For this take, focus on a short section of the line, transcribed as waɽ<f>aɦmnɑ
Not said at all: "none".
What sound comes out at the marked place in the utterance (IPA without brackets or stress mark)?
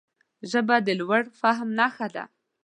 f